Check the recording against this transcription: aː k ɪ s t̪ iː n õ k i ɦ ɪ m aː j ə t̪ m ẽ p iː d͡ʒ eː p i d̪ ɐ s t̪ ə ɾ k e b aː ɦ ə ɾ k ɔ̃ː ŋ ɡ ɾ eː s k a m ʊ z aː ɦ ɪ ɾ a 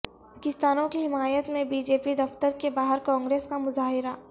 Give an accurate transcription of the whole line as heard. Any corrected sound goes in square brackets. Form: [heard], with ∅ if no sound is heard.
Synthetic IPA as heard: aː k ɪ s t̪ [aː] n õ k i ɦ ɪ m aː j ə t̪ m ẽ [b] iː d͡ʒ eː p i d̪ ɐ [f] t̪ ə ɾ k e b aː ɦ ə ɾ k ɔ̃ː ŋ ɡ ɾ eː s k a m ʊ z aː ɦ ɪ ɾ a